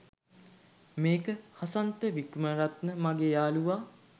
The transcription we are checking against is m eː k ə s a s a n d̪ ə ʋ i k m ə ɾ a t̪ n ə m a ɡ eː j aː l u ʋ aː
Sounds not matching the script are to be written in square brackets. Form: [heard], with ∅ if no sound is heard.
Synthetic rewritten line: m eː k ə [h] a s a n [t̪] ə ʋ i k m ə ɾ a t̪ n ə m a ɡ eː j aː l u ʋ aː